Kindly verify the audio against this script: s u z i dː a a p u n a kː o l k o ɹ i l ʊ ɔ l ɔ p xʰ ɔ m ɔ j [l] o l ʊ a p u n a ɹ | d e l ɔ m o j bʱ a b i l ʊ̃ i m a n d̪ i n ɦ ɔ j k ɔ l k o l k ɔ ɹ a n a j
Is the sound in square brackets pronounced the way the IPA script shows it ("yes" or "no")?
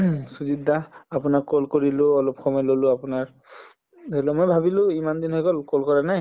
yes